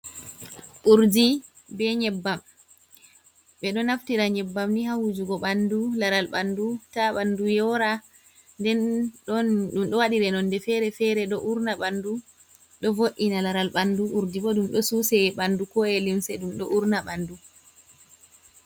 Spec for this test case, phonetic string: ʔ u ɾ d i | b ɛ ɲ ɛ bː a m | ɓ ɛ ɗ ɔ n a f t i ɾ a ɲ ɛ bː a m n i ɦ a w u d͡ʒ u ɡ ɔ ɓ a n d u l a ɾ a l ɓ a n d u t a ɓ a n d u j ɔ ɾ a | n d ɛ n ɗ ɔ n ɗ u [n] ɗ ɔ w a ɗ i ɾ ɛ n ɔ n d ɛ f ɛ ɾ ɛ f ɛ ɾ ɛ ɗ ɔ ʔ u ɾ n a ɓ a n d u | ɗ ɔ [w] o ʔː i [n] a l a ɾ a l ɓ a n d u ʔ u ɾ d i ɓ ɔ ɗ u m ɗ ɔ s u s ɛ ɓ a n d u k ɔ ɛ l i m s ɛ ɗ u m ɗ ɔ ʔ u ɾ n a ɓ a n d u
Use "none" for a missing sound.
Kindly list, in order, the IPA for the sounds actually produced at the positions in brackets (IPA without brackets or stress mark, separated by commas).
m, v, n